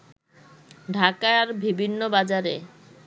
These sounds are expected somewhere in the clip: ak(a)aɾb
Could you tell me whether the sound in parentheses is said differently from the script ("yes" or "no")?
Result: no